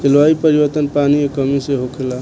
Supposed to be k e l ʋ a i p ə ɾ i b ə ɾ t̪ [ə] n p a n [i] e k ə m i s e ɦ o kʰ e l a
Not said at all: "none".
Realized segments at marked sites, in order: ə, i

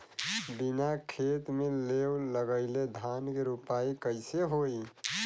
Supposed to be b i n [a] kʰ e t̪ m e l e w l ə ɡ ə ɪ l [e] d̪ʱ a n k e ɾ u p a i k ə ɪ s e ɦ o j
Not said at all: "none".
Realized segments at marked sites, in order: a, e

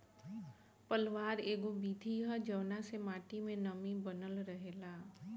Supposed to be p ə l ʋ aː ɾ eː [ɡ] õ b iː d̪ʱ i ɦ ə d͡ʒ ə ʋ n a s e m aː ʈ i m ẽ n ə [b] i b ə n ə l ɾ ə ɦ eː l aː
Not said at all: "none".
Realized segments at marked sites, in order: ɡ, m

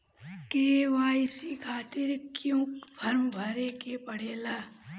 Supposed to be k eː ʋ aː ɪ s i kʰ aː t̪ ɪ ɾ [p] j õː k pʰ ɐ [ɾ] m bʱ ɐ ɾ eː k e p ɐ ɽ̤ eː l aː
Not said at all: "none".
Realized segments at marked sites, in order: k, ɾ

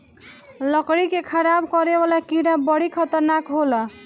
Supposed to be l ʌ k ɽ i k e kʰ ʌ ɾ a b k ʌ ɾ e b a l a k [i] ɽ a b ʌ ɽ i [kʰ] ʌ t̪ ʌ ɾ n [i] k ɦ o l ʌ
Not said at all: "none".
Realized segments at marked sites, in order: i, kʰ, a

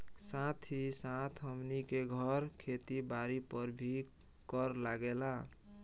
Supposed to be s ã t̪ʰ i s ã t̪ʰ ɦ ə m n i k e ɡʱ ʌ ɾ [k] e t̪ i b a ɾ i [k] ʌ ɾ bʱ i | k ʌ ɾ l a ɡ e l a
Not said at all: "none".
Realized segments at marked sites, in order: kʰ, p

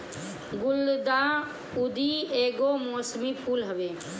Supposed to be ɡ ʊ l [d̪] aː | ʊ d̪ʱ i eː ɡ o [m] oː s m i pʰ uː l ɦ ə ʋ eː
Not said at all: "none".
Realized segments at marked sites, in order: d̪, m

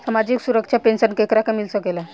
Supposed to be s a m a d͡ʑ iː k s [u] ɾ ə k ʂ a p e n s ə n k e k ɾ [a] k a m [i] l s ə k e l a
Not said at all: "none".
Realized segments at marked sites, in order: u, a, i

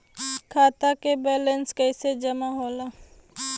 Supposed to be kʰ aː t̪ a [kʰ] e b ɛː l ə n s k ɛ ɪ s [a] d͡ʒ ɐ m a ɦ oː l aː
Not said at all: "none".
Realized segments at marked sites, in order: k, e

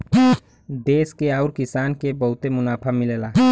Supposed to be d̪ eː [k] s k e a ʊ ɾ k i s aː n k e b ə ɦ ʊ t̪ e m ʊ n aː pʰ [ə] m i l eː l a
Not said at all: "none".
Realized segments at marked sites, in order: none, a

